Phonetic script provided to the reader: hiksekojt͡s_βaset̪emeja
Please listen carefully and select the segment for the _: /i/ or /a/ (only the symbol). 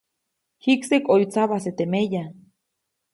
a